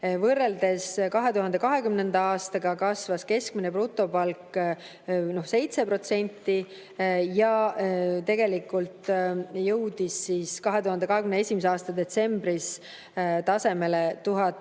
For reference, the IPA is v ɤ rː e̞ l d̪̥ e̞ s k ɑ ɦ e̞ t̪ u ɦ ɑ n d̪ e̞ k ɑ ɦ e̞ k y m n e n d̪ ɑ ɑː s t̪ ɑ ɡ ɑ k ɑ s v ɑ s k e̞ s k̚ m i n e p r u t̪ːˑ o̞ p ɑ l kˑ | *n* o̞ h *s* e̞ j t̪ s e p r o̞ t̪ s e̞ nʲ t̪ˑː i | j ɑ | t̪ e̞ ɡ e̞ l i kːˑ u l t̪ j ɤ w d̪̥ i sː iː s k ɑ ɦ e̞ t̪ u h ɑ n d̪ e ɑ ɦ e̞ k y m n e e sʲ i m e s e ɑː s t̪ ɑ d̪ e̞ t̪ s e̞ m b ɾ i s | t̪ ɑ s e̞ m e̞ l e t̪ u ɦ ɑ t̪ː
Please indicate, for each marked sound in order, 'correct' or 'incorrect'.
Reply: correct, correct

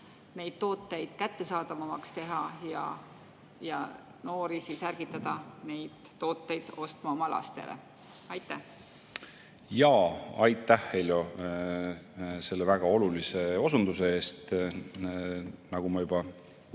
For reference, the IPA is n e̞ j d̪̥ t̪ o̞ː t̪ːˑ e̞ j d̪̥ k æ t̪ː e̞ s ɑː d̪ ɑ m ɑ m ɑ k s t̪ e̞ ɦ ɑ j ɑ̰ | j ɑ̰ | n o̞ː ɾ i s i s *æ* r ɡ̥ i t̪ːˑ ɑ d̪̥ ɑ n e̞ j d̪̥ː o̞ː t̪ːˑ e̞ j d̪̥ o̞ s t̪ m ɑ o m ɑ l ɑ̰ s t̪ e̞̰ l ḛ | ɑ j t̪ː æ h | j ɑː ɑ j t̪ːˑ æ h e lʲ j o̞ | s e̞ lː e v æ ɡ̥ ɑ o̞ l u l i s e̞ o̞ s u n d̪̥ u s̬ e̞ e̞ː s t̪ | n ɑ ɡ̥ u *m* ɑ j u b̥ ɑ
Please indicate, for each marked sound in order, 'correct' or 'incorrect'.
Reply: correct, correct

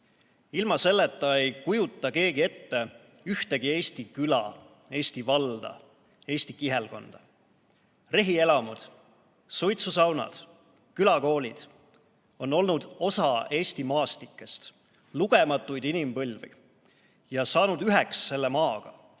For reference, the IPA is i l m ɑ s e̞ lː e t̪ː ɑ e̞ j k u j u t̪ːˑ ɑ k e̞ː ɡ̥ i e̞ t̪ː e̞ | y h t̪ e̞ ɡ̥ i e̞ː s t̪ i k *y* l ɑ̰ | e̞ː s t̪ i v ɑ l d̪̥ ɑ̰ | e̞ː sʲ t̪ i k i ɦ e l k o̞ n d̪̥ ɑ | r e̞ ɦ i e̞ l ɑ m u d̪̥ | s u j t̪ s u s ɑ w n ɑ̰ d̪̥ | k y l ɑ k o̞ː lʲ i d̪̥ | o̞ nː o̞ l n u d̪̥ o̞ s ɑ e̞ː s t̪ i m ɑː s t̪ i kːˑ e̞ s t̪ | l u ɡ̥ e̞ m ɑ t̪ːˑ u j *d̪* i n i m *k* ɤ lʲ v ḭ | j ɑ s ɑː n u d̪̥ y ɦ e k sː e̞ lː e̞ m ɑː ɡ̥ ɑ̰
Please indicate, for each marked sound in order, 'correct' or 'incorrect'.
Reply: correct, correct, incorrect: p

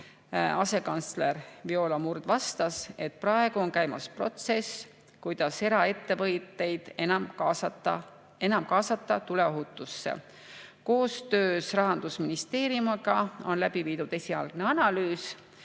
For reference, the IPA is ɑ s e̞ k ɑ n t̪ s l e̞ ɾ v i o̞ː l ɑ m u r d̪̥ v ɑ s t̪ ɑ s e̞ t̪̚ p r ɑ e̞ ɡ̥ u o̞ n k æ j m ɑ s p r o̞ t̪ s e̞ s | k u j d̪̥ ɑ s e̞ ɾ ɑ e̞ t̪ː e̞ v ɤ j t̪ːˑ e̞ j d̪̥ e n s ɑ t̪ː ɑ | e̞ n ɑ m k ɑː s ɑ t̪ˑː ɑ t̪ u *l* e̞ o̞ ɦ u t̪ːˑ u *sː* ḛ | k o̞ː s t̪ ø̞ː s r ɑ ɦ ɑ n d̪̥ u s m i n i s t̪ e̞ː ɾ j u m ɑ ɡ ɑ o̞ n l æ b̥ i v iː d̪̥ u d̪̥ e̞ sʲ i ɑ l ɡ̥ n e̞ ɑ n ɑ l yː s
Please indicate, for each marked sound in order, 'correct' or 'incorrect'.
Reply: correct, correct

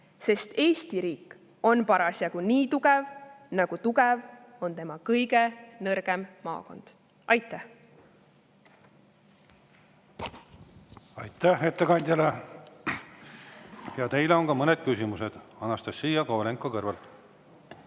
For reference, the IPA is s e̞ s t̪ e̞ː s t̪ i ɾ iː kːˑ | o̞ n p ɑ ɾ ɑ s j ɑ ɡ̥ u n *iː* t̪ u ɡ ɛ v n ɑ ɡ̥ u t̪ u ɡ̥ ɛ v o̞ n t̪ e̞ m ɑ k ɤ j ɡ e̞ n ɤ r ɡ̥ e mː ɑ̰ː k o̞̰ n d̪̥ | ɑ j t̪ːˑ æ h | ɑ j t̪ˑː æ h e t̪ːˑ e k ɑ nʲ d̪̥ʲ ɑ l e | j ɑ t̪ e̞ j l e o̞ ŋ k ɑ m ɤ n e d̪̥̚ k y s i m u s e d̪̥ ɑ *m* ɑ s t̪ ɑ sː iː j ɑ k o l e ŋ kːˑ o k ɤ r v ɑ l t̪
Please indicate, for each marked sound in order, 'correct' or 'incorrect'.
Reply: correct, incorrect: n

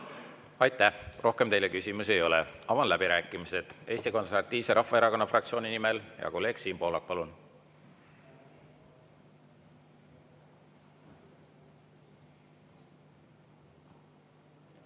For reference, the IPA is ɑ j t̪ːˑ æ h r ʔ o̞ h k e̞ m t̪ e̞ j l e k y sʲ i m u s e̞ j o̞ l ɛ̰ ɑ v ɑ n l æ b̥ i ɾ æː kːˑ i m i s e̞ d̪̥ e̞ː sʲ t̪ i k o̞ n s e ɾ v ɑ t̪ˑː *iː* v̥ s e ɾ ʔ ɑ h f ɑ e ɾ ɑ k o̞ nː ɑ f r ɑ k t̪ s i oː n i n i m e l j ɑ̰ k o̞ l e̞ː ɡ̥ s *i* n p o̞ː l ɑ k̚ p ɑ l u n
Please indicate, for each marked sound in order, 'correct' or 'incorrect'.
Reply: correct, incorrect: iː

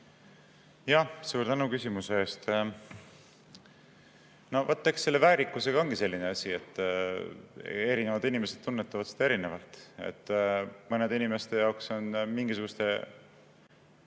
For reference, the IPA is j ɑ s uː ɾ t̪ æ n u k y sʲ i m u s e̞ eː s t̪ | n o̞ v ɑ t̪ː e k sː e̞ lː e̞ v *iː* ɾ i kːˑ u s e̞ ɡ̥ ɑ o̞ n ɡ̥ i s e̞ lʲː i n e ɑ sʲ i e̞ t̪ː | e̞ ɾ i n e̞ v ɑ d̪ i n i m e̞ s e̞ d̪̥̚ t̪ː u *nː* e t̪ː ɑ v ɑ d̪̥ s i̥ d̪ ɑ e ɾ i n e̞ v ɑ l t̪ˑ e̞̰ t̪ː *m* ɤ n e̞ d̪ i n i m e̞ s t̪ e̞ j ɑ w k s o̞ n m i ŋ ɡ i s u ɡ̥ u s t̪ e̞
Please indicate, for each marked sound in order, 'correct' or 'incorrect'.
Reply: incorrect: æː, correct, correct

